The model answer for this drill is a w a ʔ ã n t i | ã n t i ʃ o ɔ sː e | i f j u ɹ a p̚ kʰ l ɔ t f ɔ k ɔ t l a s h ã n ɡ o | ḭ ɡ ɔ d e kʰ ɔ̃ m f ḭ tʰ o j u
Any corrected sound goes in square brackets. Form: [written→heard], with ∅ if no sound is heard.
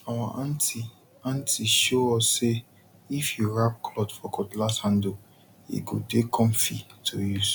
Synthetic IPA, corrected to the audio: a w a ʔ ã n t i | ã n t i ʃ o ɔ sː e | i f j u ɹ a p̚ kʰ l ɔ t f ɔ k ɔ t l a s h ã n [ɡ→d] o | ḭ ɡ [ɔ→o] d e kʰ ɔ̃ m f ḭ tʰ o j u